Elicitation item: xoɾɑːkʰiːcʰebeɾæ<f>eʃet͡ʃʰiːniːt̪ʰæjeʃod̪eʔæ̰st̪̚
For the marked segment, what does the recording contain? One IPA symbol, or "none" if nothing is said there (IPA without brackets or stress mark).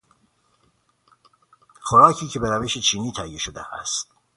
v